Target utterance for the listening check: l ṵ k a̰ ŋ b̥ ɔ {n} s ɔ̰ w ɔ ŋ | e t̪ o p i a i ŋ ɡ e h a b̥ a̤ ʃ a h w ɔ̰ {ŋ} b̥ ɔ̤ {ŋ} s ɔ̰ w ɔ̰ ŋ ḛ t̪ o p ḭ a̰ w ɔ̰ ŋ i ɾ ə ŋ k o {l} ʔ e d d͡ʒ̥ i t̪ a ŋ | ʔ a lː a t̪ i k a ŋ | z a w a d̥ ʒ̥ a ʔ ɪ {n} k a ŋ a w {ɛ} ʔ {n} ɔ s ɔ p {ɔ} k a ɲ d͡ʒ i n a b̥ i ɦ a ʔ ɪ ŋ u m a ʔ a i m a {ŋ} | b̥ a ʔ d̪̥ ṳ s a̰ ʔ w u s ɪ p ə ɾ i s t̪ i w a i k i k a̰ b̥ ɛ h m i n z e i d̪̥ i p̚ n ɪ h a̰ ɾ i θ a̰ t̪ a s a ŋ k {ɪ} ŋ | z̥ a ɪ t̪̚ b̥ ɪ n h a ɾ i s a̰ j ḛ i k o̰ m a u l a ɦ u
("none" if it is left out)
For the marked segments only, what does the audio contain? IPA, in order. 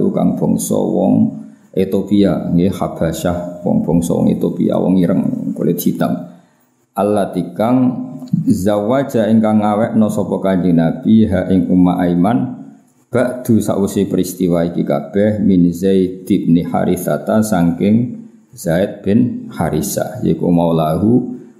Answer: ŋ, ŋ, ŋ, l, ŋ, ɛ, n, ɔ, n, ɪ

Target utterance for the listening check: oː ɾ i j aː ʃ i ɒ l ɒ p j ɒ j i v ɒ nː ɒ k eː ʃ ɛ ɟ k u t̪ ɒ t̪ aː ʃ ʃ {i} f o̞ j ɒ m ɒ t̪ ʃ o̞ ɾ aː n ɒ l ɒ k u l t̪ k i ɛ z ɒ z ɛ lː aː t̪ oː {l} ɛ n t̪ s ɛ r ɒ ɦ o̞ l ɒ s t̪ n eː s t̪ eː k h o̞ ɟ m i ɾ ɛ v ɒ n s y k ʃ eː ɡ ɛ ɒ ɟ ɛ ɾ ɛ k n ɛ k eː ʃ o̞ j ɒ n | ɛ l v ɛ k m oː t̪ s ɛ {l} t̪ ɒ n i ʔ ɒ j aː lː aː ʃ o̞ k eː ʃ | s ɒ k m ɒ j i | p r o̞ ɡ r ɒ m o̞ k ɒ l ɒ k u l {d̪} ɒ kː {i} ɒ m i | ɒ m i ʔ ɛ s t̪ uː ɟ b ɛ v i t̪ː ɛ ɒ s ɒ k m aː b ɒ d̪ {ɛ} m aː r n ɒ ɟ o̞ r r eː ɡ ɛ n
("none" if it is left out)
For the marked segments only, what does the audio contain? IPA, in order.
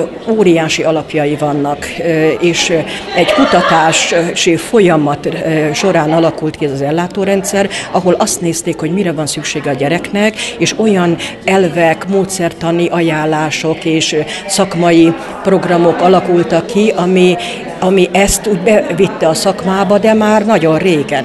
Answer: i, ɾ, r, t̪, i, ɛ

